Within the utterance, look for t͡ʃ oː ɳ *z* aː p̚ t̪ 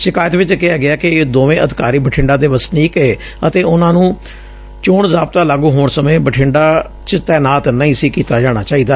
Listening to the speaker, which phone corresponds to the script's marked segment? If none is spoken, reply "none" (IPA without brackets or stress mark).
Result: z